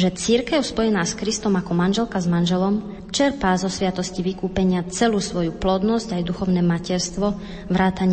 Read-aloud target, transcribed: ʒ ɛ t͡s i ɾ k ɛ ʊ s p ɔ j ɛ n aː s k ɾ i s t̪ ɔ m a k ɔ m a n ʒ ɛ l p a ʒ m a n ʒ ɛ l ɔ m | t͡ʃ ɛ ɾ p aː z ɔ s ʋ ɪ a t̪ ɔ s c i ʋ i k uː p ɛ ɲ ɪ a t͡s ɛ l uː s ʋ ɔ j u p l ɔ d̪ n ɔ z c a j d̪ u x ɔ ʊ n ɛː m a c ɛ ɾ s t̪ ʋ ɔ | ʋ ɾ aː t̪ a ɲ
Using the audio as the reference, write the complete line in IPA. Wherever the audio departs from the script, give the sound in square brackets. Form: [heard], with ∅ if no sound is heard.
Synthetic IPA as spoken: ʒ ɛ t͡s i ɾ k ɛ ʊ s p ɔ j ɛ n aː s k ɾ i s t̪ ɔ m a k ɔ m a n ʒ ɛ l [k] a [z] m a n ʒ ɛ l ɔ m | t͡ʃ ɛ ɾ p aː z ɔ s ʋ ɪ a t̪ ɔ s c i ʋ i k uː p ɛ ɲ ɪ a t͡s ɛ l uː s ʋ ɔ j u p l ɔ d̪ n ɔ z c a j d̪ u x ɔ ʊ n ɛː m a c ɛ ɾ s t̪ ʋ ɔ | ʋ ɾ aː t̪ a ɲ